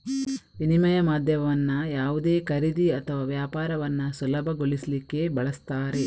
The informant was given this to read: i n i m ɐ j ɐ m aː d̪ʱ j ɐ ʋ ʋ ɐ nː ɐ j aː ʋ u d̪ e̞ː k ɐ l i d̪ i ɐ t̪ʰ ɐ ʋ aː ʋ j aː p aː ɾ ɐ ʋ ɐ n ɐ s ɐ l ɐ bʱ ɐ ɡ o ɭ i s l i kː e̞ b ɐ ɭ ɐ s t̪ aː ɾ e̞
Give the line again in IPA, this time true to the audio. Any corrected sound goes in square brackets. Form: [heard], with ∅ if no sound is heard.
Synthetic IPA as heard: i n i m ɐ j ɐ m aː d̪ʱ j ɐ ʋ ʋ ɐ nː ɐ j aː ʋ u d̪ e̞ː k ɐ [ɾ] i d̪ i ɐ t̪ʰ ɐ ʋ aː ʋ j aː p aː ɾ ɐ ʋ ɐ [nː] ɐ s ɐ l ɐ bʱ ɐ ɡ o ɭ i s l i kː e̞ b ɐ ɭ ɐ s t̪ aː ɾ e̞